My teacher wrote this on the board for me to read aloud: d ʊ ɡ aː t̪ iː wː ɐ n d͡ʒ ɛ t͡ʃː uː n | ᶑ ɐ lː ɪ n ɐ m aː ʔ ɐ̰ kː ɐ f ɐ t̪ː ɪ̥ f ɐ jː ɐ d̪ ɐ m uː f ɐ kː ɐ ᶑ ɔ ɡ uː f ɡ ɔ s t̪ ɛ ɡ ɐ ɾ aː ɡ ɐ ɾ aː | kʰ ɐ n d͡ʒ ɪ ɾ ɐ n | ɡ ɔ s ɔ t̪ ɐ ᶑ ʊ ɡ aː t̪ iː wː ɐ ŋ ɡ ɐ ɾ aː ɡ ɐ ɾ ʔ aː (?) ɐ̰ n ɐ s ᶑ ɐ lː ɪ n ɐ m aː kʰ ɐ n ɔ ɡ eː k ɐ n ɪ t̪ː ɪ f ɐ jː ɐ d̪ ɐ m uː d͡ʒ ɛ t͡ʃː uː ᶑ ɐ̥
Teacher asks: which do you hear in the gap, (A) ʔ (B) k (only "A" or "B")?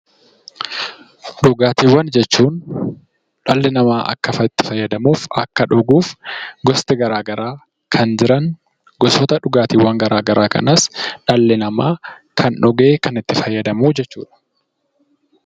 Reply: B